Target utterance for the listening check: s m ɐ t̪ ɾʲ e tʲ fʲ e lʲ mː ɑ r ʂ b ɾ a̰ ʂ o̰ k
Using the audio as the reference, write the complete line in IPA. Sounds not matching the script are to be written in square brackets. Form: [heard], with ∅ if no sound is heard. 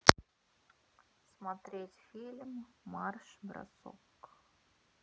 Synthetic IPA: s m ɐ t̪ ɾʲ e tʲ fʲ [i] lʲ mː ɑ r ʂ b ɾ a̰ [s] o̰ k